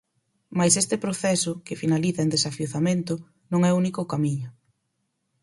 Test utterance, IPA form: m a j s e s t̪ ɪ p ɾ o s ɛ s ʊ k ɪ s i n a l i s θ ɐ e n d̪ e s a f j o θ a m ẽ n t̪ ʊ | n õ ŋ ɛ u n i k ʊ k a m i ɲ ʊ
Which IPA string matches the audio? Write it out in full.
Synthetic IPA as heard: m a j s e s t̪ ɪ p ɾ o θ ɛ s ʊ k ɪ f i n a l i θ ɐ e n d̪ e s a f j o θ a m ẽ n t̪ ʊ | n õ ŋ ɛ u n i k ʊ k a m i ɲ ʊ

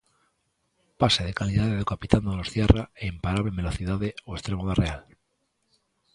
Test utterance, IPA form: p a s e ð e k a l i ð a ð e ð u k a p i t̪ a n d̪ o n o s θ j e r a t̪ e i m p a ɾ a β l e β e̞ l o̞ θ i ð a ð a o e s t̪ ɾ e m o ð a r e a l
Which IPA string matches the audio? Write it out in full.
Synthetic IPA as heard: p a s e ð e k a l i ð a ð e ð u k a p i t̪ a n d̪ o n o s θ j e r a e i m p a ɾ a β l e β e̞ l o̞ θ i ð a ð e o e s t̪ ɾ e m o ð a r e a l

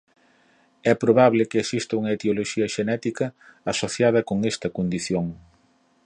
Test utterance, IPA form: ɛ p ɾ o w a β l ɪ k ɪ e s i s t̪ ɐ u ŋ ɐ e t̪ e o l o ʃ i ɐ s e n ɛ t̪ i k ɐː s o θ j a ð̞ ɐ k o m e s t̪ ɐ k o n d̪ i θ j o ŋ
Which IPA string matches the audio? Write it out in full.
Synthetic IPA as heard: ɛ p ɾ o β a β l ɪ k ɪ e s i s t̪ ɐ u ŋ ɐ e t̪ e o l o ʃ i ɐ ʃ e n ɛ t̪ i k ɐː s o θ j a ð̞ ɐ k o ŋ e s t̪ ɐ k o n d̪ i θ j o ŋ

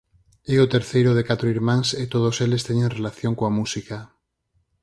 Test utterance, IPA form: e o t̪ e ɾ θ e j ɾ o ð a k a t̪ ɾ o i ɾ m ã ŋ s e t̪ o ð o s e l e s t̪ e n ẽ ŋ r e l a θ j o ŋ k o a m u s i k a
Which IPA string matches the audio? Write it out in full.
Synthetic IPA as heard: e o t̪ e ɾ θ e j ɾ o ð e k a t̪ ɾ o i ɾ m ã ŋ s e t̪ o ð o s e l e s t̪ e ɲ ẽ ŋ r e l a θ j o ŋ k o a m u s i k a

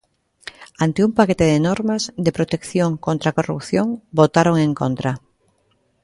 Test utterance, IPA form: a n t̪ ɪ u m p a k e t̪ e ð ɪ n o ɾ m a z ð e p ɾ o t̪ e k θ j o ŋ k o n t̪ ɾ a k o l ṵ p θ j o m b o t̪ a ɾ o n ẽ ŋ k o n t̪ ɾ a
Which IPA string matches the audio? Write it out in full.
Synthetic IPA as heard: a n t̪ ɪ u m p a k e t̪ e ð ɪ n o ɾ m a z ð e p ɾ o t̪ e k θ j o ŋ k o n t̪ ɾ a k o r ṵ p θ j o ŋ b o t̪ a ɾ o ŋ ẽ ŋ k o n t̪ ɾ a

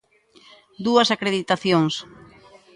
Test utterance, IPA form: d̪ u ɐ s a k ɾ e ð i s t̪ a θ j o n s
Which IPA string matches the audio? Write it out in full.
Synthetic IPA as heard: d̪ u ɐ s a k ɾ e ð i t̪ a θ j o ŋ s

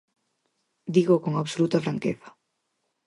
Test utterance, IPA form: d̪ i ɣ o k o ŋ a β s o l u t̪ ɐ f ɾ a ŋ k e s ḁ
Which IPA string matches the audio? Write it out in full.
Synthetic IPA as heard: d̪ i ɣ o k o ŋ a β s o l u t̪ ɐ f ɾ a ŋ k e θ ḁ

